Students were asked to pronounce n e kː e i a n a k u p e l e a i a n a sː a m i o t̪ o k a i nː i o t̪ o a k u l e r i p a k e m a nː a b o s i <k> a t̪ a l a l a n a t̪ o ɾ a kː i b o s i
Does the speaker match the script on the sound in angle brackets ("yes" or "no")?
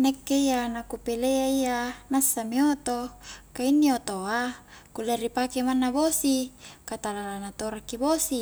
yes